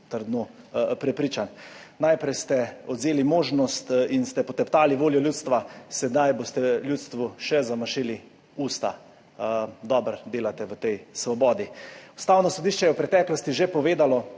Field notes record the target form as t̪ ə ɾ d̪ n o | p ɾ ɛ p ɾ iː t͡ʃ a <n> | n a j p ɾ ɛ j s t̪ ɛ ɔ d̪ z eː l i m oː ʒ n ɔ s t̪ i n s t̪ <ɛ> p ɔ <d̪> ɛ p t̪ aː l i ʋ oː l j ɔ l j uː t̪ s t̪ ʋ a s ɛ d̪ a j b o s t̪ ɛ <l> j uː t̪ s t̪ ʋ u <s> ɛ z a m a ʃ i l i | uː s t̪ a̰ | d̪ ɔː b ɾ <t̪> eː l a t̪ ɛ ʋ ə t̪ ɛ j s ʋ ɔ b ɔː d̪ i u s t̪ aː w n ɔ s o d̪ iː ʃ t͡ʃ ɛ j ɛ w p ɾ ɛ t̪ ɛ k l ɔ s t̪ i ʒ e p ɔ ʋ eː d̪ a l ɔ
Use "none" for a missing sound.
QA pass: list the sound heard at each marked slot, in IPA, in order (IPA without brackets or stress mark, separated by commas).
n, ɛ, t̪, l, ʃ, d̪